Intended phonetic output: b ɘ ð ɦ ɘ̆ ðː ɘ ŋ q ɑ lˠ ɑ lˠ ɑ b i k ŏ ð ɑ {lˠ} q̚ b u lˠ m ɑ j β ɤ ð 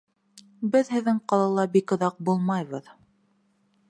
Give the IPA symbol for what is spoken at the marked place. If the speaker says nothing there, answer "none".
none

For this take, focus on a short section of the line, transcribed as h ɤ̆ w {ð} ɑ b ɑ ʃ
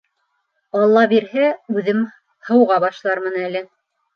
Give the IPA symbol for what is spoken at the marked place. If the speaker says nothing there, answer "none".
ʁ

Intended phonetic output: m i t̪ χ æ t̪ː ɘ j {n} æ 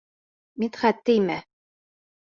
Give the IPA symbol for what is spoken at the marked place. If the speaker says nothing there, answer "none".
m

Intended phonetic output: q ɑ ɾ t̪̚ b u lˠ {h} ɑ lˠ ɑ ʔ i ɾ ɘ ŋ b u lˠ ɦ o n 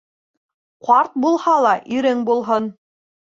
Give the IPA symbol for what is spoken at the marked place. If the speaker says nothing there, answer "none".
h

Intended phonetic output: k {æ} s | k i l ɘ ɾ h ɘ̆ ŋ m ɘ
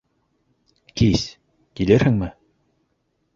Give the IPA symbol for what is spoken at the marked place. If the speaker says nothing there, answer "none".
i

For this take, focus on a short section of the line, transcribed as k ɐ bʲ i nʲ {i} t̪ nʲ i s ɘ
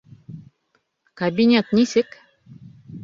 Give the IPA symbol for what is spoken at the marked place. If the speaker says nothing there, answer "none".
e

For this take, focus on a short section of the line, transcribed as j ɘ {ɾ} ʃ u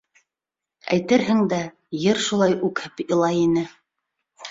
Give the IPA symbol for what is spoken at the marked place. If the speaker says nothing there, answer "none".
ɾ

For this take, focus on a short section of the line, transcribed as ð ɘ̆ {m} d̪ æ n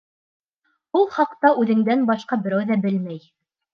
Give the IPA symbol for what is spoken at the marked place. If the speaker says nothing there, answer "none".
ŋ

